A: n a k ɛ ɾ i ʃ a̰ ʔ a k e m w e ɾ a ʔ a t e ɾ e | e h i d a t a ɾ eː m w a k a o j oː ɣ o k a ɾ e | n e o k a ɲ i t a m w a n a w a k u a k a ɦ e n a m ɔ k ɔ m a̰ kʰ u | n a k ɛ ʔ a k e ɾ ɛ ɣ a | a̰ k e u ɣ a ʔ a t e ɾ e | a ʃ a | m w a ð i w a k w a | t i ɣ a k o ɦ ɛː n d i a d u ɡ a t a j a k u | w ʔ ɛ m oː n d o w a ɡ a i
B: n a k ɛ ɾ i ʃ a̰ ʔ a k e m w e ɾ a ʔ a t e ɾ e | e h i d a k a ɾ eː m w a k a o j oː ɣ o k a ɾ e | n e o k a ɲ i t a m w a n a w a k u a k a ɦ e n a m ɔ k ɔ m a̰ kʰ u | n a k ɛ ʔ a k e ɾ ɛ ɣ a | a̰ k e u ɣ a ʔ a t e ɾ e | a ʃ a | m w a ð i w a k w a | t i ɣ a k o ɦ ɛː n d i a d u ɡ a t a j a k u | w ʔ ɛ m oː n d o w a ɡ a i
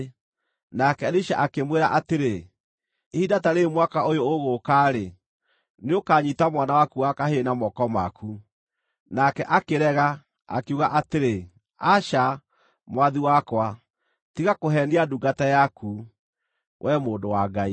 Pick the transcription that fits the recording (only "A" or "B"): A